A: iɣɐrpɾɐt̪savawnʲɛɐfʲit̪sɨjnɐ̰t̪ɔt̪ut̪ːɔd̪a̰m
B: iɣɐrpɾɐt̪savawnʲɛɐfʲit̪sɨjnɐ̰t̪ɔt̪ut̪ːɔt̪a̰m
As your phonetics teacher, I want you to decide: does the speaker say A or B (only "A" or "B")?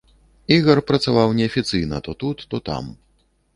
B